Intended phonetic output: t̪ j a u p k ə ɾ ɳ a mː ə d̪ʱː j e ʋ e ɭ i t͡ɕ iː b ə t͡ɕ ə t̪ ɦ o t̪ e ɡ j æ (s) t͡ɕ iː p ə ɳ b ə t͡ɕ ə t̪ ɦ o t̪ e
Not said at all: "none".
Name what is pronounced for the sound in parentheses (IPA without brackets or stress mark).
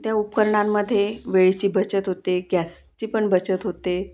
s